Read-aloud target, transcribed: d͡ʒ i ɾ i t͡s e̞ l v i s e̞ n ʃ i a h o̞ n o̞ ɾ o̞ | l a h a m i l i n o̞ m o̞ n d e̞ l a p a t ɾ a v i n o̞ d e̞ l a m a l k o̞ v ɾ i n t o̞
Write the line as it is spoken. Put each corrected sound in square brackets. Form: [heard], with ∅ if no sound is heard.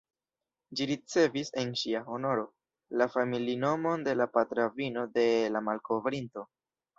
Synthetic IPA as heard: d͡ʒ i ɾ i t͡s e̞ [∅] v i s e̞ n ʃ i a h o̞ n o̞ ɾ o̞ | l a [f] a m i l i n o̞ m o̞ n d e̞ l a p a t ɾ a v i n o̞ d e̞ l a m a l k o̞ v ɾ i n t o̞